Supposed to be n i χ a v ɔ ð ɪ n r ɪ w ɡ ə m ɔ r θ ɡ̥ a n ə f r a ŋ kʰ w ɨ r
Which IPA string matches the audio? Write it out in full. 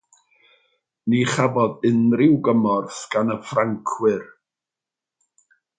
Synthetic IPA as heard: n i χ a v ɔ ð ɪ n r ɪ w ɡ ə m ɔ r θ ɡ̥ a n ə f r a ŋ kʰ w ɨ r